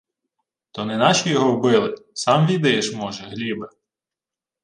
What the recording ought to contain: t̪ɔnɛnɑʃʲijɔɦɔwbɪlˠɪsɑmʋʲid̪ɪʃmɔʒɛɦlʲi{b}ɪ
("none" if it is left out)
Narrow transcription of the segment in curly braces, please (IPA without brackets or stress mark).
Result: b